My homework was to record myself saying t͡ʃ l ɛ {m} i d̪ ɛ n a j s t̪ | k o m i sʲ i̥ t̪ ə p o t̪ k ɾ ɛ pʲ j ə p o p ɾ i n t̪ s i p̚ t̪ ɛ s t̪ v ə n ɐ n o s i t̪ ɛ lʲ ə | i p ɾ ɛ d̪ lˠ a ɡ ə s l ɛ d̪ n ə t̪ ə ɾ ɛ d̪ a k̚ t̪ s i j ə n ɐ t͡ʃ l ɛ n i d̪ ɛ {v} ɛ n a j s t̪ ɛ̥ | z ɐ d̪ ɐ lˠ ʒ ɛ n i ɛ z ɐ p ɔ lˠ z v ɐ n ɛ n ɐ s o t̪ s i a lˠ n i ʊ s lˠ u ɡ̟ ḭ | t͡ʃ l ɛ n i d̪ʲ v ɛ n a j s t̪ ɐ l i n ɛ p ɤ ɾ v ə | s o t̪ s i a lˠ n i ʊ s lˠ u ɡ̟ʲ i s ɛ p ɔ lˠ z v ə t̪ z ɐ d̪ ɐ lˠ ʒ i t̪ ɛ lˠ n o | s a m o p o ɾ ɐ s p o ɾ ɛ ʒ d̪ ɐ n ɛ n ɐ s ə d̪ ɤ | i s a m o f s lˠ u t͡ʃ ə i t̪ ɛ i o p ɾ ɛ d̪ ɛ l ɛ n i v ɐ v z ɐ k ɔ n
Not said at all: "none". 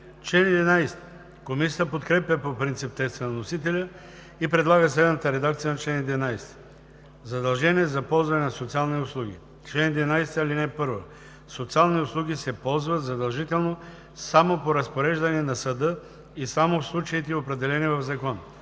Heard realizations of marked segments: n, v

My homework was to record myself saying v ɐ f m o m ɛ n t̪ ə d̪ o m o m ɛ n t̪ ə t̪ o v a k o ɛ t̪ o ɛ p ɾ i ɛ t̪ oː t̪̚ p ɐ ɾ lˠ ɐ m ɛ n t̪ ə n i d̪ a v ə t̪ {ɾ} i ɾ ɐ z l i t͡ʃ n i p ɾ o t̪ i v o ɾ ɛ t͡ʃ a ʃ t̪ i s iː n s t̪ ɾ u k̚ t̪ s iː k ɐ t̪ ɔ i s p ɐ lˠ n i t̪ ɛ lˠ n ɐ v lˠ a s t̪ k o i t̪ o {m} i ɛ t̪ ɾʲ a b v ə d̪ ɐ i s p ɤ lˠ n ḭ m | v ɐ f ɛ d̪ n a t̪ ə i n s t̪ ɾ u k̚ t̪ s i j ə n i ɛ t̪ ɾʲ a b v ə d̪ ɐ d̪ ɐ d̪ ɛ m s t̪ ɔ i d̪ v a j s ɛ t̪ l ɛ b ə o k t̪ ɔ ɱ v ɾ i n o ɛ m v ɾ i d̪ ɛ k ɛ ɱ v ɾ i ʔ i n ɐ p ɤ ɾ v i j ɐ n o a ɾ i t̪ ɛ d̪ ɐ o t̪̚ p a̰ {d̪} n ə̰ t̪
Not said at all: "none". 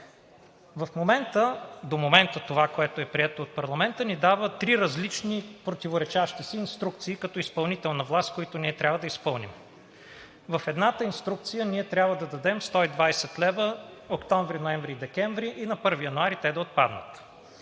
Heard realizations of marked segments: ɾ, n, d̪

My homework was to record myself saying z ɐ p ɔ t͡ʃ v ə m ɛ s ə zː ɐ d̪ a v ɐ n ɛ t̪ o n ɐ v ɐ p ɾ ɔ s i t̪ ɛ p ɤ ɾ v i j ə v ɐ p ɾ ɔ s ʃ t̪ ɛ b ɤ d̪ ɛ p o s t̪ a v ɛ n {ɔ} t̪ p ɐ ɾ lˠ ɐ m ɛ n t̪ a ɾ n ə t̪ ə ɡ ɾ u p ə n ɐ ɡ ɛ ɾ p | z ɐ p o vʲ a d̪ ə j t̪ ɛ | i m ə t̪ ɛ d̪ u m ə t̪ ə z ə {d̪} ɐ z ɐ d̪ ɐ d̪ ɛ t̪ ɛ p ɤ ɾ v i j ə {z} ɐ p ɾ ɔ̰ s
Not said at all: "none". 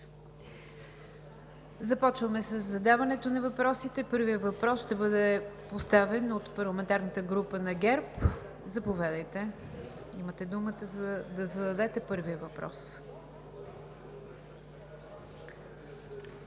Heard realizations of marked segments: o, d̪, v

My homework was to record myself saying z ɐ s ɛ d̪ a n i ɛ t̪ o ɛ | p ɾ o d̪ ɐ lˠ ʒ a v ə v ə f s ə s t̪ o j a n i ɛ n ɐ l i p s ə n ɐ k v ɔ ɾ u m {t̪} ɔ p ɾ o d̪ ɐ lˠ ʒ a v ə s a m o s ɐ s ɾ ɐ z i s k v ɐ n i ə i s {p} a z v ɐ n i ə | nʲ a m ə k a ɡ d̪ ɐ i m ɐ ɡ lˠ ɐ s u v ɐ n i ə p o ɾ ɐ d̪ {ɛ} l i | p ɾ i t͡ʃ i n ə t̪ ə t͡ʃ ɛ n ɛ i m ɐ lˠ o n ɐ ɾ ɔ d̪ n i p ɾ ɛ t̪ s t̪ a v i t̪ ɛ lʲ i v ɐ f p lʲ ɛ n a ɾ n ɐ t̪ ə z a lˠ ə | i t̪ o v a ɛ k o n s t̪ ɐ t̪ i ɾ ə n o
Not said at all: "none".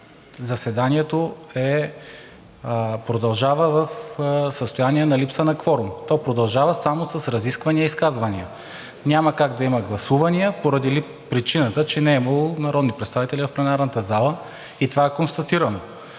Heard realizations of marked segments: t̪, k, i

